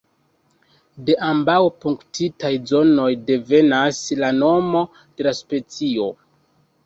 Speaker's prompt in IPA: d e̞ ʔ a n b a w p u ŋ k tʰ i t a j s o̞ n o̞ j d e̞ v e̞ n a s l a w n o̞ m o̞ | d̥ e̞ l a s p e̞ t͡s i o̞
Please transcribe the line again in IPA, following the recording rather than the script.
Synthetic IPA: d e̞ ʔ a m b a w p u ŋ k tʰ i t a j z o̞ n o̞ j d e̞ v e̞ n a s l a n o̞ m o̞ | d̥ e̞ l a s p e̞ t͡s i o̞